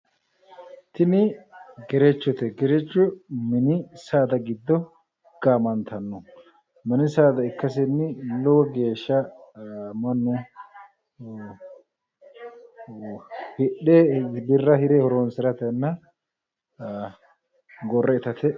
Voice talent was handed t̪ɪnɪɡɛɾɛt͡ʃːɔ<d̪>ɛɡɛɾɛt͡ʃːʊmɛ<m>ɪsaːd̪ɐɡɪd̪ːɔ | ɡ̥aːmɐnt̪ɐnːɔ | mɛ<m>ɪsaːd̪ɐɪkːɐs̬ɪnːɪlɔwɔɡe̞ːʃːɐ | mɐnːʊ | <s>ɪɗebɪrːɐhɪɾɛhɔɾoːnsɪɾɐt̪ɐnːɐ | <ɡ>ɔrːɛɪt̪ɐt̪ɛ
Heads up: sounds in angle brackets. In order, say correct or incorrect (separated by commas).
incorrect, incorrect, incorrect, incorrect, correct